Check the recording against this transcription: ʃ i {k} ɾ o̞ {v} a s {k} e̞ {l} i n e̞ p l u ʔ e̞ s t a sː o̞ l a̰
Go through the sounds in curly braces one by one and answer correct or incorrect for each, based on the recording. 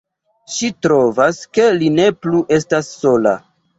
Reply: incorrect: t, correct, correct, correct

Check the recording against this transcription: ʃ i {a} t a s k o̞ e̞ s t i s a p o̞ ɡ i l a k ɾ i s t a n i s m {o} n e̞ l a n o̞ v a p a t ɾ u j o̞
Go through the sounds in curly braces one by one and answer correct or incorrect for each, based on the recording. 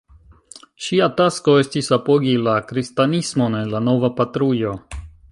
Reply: correct, correct

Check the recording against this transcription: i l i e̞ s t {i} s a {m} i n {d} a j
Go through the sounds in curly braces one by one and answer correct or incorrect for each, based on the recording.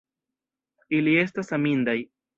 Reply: incorrect: a, correct, correct

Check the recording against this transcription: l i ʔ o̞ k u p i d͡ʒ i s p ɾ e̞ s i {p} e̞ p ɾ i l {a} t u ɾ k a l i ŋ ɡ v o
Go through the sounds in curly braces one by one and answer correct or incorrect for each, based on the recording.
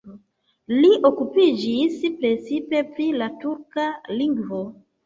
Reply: correct, correct

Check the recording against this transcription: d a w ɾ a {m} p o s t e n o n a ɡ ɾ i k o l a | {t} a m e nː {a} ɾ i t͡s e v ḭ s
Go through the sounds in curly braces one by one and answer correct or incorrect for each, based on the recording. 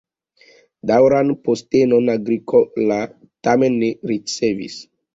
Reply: incorrect: n, correct, incorrect: e

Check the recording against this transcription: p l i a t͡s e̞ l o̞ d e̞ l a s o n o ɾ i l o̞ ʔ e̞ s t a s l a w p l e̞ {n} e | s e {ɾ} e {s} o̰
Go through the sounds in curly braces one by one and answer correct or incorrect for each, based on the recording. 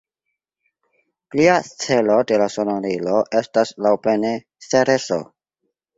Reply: correct, correct, correct

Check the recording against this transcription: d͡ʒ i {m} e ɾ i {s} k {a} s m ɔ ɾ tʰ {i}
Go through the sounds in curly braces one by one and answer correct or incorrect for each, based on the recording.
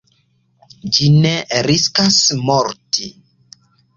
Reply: incorrect: n, correct, correct, correct

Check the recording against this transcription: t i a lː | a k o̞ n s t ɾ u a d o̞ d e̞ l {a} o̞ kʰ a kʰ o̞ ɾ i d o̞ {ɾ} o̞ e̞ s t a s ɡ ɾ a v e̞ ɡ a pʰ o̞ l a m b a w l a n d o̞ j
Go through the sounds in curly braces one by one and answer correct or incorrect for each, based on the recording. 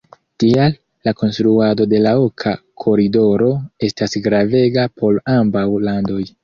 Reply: correct, correct

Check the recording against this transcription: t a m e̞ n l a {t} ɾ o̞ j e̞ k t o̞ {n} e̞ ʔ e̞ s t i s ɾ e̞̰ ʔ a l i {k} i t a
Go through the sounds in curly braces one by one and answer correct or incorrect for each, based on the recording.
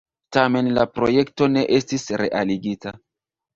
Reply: incorrect: p, correct, incorrect: ɡ

